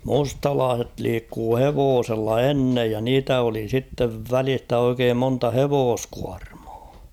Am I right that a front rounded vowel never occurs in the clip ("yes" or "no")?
yes